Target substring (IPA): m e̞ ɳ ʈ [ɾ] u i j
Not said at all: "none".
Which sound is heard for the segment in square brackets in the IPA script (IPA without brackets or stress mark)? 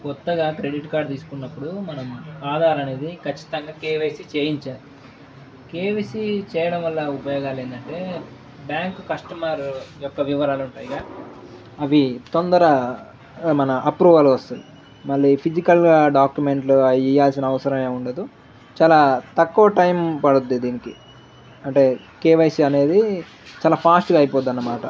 l